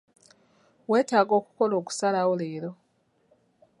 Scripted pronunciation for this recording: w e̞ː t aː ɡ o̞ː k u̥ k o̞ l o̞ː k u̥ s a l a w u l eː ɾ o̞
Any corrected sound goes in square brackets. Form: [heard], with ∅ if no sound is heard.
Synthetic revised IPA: w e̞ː t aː ɡ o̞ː k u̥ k o̞ l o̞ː k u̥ s a l a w [o] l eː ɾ o̞